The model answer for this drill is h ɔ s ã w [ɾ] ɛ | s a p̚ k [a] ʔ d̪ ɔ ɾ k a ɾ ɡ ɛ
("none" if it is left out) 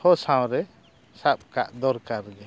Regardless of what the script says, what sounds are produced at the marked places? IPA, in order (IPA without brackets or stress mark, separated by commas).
ɾ, a